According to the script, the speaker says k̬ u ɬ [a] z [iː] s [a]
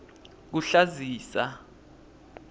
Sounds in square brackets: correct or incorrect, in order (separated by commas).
correct, correct, correct